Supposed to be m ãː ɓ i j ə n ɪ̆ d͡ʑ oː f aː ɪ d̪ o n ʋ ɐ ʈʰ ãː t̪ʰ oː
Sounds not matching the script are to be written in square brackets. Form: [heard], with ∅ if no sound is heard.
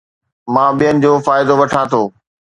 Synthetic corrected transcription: m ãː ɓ i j ə n ɪ̆ d͡ʑ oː f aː ɪ d̪ o [∅] ʋ ɐ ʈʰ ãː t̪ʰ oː